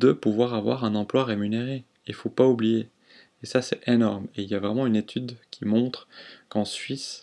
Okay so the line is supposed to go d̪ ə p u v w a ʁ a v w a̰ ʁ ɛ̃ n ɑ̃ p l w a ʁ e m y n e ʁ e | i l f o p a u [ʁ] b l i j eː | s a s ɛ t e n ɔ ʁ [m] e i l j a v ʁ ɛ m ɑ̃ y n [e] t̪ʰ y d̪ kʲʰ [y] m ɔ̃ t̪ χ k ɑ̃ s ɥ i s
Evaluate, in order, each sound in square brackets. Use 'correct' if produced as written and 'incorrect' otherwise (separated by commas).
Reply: incorrect, correct, correct, incorrect